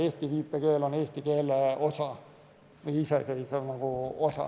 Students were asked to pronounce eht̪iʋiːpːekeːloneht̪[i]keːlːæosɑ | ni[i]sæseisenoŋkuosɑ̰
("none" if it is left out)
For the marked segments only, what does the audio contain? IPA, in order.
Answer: i, i

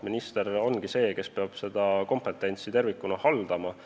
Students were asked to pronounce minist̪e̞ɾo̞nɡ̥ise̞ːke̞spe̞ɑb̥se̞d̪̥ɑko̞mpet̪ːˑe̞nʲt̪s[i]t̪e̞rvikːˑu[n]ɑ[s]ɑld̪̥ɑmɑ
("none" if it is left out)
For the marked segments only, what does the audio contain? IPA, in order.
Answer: i, n, h

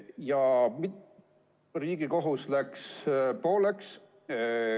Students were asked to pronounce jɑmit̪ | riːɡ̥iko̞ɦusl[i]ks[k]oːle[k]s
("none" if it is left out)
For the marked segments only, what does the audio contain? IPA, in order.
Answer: æ, p, k

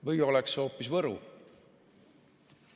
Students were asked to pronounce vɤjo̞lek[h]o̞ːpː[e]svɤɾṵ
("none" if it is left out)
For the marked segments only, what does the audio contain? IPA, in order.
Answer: s, i

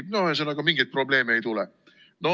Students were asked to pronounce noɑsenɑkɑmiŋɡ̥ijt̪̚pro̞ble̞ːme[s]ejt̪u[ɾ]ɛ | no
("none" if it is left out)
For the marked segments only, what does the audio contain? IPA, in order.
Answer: none, l

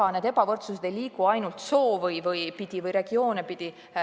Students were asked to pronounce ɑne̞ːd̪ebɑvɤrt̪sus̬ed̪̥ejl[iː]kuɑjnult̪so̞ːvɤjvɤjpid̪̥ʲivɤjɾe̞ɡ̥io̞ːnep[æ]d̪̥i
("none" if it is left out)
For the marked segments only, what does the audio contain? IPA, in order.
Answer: iː, i

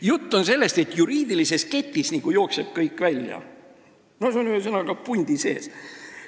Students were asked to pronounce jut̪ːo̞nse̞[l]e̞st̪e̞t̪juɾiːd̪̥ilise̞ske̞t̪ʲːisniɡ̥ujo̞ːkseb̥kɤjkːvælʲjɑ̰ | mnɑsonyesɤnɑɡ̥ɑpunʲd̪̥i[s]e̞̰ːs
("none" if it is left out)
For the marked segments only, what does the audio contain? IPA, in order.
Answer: lː, s

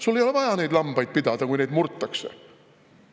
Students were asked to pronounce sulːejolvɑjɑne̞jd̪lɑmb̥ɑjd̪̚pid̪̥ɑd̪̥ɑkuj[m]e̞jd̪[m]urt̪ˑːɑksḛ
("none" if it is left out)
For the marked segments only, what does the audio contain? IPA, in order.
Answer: n, m

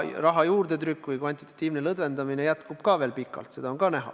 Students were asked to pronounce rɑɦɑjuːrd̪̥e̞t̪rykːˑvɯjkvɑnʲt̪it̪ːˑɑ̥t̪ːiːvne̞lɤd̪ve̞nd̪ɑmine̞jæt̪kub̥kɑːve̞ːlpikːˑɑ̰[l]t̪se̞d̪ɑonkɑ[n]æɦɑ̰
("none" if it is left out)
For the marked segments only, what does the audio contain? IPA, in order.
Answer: l, n

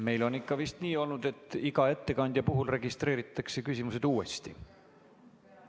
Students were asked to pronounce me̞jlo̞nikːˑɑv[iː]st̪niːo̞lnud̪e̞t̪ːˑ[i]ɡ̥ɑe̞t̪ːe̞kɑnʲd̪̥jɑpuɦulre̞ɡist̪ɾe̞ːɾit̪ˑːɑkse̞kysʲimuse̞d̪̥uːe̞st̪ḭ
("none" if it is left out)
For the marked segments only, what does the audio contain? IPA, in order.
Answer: i, i

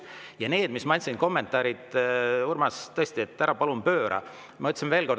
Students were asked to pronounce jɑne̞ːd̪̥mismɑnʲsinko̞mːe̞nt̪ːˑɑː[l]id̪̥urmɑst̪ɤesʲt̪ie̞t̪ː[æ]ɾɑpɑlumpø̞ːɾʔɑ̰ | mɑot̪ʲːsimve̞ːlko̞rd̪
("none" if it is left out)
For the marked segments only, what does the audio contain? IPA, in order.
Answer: ɾ, æ

